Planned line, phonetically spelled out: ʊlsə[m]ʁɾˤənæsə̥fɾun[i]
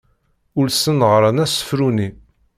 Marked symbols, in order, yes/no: no, yes

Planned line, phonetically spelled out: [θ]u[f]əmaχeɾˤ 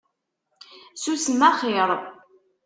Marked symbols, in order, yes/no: no, no

